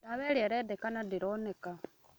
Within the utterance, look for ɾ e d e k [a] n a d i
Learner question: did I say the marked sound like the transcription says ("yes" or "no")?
yes